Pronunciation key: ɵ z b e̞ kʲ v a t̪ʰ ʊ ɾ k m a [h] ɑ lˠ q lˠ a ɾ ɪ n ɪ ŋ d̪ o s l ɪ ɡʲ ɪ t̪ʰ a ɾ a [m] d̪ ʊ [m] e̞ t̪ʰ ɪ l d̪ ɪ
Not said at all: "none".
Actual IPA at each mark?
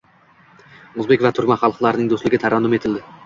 χ, n, m

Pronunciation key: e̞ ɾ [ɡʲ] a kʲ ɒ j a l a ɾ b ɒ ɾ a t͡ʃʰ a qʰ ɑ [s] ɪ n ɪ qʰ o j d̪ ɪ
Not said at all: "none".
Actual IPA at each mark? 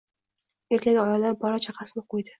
kʲ, s

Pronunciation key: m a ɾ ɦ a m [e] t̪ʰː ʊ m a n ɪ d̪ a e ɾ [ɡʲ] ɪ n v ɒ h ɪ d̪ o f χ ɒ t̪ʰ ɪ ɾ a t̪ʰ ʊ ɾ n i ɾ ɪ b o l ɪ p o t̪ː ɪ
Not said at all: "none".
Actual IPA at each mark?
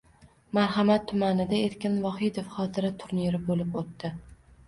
a, kʲ

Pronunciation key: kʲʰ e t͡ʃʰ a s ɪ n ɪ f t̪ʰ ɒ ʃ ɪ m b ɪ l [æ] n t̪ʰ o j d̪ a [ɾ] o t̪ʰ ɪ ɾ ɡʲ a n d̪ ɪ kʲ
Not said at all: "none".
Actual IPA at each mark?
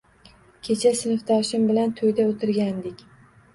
a, none

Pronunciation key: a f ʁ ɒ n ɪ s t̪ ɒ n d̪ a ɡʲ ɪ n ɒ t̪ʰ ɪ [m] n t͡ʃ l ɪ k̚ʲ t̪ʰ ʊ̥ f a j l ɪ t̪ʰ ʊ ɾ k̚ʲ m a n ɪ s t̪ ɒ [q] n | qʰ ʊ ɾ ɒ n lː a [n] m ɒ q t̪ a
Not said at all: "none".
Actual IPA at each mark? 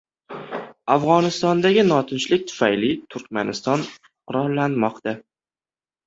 none, none, n

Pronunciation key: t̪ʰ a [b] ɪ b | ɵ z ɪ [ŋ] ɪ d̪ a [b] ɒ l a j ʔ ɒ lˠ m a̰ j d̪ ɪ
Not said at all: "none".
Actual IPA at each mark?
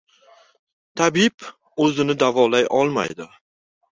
b, n, v

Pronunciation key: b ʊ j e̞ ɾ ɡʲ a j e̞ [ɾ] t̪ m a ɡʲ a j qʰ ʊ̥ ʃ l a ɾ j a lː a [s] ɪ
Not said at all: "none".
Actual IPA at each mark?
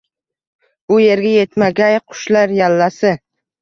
none, s

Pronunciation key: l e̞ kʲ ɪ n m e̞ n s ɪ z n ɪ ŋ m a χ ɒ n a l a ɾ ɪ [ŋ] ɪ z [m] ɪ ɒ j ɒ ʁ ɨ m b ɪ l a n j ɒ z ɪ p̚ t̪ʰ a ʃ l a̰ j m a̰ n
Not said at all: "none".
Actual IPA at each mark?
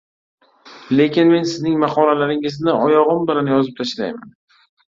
ŋ, n

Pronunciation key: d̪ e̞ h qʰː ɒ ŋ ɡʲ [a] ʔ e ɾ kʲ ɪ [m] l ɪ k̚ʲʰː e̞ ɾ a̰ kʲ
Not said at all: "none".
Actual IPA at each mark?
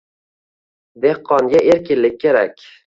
a, n

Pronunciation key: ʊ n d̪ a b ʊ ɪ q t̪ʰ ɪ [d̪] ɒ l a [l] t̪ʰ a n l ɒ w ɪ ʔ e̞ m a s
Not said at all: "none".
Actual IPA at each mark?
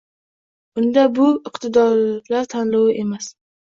d̪, ɾ

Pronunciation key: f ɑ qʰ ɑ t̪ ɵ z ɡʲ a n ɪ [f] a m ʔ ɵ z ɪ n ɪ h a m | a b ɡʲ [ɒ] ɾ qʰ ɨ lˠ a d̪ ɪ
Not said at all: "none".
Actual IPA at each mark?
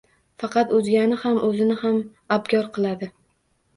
h, ɒ

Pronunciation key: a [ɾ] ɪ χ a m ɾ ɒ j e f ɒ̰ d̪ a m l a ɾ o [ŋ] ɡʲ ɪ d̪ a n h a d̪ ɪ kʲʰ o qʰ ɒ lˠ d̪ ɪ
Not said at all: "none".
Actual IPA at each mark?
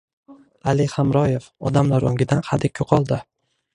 l, ŋ

